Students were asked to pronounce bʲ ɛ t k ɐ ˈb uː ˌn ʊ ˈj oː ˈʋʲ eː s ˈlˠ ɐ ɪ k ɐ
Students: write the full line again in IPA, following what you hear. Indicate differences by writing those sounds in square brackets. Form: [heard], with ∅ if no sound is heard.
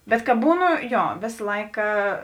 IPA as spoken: bʲ ɛ t k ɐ ˈb uː ˌn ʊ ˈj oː ˈʋʲ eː s ˈlˠ ɐ ɪ k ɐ

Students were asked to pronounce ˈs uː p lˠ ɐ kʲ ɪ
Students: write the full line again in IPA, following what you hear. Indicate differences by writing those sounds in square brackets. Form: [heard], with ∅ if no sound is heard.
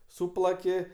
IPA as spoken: ˈs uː p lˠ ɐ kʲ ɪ

